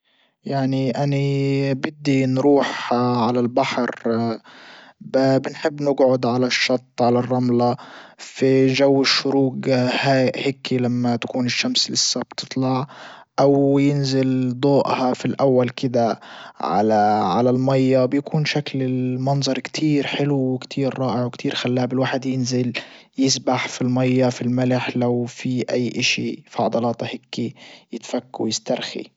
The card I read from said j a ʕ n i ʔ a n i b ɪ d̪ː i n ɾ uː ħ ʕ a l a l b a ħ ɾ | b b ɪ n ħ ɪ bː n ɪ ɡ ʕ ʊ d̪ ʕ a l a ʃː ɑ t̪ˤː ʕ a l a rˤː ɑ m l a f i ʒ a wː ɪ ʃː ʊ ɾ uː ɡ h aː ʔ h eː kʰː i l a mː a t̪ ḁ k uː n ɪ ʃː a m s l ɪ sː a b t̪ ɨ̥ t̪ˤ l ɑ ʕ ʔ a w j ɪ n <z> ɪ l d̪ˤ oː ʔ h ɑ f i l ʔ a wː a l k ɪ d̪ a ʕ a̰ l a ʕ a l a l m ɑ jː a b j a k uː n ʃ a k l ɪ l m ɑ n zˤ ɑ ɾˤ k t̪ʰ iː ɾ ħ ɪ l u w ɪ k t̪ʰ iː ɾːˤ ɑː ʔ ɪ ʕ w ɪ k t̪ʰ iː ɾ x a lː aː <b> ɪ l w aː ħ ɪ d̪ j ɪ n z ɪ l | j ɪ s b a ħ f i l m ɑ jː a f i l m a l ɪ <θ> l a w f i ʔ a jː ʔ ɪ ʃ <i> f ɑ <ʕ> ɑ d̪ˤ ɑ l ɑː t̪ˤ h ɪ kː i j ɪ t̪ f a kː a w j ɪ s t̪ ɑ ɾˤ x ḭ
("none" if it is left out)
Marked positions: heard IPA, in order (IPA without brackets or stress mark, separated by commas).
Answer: z, b, ħ, i, ʕ